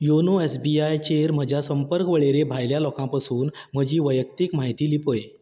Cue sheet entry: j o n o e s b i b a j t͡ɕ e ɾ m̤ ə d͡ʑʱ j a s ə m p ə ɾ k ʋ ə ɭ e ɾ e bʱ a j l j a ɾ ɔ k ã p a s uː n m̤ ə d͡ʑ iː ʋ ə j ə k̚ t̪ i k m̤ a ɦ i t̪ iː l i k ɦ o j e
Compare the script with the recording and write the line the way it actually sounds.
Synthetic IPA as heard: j o n o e s b i a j t͡ɕ e ɾ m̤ ə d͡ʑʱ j a s ə m p ə ɾ k ʋ ə ɭ e ɾ e bʱ a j l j a l ɔ k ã p a s uː n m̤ ə d͡ʑ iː ʋ ə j ə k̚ t̪ i k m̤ a ɦ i t̪ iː l i p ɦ o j e